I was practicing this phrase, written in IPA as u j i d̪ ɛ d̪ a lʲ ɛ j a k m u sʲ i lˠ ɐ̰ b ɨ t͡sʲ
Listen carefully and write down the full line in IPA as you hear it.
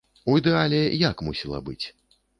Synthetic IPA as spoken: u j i d̪ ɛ a lʲ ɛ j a k m u sʲ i lˠ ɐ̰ b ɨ t͡sʲ